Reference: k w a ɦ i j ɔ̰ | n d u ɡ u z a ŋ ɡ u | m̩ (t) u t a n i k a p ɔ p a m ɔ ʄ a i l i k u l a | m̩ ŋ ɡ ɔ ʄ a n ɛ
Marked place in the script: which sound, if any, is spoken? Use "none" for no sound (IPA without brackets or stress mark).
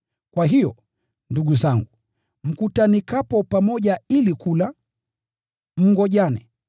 k